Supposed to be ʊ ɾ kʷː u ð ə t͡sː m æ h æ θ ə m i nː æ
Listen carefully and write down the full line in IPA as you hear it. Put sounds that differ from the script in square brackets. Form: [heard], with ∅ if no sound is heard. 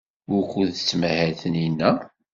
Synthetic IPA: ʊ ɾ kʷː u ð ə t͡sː m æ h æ θ ə [n] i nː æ